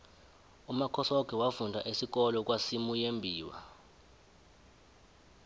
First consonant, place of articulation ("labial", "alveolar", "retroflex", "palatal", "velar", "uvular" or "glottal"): labial